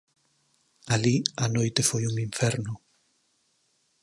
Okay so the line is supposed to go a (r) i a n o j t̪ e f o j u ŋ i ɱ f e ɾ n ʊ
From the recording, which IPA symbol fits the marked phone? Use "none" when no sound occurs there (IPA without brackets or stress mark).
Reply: l